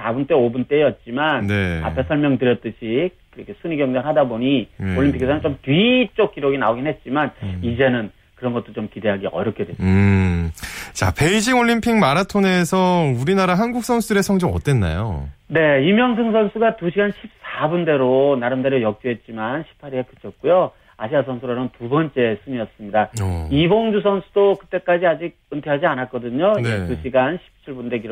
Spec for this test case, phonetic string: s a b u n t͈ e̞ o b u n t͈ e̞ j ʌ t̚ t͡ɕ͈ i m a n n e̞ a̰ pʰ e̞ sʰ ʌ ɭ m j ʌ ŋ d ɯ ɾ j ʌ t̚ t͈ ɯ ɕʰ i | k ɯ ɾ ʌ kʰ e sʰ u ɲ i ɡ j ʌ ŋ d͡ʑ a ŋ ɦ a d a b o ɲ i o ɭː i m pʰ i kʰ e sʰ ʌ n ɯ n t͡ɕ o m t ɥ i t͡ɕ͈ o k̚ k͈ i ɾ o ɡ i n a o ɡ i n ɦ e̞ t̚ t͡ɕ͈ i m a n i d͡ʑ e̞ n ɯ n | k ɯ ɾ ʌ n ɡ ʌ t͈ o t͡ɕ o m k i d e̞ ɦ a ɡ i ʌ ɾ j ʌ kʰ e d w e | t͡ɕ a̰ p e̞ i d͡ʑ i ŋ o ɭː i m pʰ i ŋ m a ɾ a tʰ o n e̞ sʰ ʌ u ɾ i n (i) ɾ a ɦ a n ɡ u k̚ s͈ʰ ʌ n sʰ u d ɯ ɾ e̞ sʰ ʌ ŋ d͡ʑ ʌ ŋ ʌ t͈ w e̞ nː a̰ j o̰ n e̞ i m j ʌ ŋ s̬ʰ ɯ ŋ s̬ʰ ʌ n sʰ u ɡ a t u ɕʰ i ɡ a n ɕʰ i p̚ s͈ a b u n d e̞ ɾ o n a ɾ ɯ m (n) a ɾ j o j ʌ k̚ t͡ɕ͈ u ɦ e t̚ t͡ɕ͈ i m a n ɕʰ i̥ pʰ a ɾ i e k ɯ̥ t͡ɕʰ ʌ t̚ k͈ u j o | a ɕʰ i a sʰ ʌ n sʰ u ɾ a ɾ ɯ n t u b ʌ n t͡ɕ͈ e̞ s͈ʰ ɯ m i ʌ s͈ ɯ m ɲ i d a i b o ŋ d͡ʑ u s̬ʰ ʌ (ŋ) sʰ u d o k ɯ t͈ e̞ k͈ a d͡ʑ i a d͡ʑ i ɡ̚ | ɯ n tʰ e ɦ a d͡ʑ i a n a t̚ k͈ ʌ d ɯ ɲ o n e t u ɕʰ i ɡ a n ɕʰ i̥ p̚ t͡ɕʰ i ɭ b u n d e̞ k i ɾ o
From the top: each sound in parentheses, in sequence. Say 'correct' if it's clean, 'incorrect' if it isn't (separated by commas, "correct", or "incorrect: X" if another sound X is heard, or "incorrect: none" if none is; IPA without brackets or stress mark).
incorrect: a, incorrect: d, incorrect: n